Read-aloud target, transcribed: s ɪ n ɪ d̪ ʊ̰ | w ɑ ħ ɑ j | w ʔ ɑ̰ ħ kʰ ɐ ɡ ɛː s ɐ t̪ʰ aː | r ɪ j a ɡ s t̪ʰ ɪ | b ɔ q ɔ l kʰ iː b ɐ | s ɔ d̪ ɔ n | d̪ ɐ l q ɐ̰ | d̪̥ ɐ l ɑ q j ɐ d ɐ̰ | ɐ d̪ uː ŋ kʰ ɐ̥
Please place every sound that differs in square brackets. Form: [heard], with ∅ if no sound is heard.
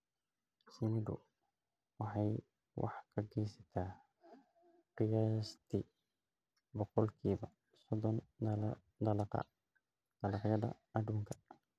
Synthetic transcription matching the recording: s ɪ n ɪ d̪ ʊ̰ | w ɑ ħ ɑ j | w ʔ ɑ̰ ħ kʰ ɐ ɡ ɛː s ɐ t̪ʰ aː | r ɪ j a [∅] s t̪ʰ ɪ | b ɔ q ɔ l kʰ iː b ɐ | s ɔ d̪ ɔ n | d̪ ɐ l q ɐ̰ | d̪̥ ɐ l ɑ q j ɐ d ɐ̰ | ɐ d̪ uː ŋ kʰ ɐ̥